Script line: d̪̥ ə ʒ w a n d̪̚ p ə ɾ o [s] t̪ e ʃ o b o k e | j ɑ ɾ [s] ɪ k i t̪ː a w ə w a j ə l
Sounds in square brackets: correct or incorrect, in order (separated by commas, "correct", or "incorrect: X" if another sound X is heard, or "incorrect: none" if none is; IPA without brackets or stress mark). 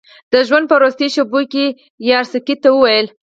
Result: correct, correct